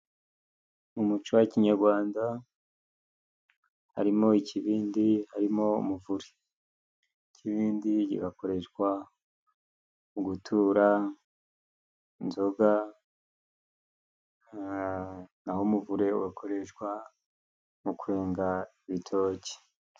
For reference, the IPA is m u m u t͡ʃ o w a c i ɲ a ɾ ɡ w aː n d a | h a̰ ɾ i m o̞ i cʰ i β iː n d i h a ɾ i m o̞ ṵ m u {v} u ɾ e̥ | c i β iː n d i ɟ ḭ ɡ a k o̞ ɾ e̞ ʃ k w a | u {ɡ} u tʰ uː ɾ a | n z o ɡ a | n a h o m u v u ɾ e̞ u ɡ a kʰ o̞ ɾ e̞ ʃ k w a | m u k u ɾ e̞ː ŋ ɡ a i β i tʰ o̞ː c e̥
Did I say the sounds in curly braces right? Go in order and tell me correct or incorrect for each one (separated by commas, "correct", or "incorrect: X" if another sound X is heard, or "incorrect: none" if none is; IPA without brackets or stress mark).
correct, correct